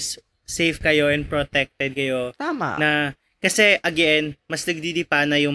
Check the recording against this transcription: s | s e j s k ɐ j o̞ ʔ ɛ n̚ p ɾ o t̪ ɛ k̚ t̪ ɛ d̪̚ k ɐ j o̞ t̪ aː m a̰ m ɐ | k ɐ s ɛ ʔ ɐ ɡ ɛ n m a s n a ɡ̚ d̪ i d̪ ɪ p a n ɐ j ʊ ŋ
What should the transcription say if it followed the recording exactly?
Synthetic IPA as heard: s | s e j f k ɐ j o̞ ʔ ɛ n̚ p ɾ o t̪ ɛ k̚ t̪ ɛ d̪̚ k ɐ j o̞ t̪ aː m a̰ n ɐ | k ɐ s ɛ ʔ ɐ ɡ ɛ n m ɐ s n ɐ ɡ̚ d̪ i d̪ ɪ p a n ɐ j ʊ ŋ